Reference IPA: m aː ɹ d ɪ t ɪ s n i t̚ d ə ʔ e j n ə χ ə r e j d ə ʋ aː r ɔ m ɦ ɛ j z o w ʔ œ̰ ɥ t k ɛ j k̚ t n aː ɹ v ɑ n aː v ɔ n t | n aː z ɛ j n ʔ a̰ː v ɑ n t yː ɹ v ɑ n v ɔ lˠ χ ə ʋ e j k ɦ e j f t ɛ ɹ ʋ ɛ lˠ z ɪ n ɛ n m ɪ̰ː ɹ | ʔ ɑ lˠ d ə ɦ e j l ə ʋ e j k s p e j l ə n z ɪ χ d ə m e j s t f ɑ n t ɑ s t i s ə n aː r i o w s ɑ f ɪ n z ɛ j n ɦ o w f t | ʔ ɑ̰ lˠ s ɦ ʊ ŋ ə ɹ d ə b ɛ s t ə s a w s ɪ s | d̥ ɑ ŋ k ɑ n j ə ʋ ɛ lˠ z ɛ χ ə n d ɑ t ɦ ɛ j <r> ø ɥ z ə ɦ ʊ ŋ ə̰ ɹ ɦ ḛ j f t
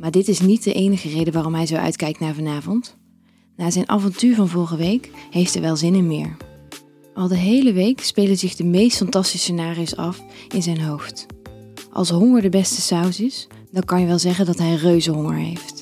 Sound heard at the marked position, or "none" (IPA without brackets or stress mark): r